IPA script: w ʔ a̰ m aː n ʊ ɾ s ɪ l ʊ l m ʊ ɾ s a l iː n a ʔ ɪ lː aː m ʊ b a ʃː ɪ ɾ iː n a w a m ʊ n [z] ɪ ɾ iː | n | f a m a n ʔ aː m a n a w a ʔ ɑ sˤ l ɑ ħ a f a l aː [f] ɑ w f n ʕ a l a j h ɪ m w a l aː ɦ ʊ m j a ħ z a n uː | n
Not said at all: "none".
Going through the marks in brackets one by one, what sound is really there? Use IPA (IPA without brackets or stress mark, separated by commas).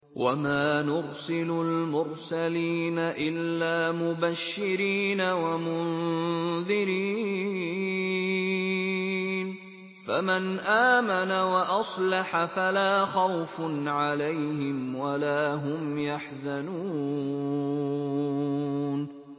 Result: ð, x